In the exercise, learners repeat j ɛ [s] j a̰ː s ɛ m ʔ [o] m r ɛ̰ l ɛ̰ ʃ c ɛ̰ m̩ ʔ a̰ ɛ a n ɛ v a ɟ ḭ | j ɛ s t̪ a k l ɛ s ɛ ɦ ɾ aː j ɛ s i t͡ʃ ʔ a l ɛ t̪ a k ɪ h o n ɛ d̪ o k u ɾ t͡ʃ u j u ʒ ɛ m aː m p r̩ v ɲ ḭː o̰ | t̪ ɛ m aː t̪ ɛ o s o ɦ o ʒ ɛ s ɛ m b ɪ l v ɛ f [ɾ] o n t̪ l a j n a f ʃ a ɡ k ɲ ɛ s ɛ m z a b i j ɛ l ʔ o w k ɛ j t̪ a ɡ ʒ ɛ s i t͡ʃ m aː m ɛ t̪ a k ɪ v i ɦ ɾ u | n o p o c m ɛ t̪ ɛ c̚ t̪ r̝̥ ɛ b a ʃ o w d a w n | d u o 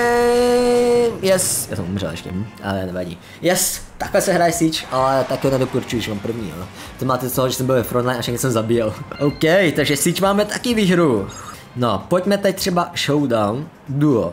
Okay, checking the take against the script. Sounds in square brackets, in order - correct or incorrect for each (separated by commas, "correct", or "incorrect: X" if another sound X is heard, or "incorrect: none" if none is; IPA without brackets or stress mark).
correct, incorrect: u, correct